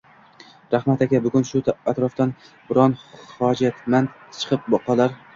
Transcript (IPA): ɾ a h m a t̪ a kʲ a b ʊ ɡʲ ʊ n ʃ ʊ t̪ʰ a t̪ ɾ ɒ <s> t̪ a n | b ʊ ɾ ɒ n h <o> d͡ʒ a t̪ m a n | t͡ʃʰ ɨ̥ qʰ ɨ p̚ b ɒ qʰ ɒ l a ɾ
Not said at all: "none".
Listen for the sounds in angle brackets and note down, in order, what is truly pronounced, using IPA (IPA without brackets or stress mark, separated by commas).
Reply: f, ɒ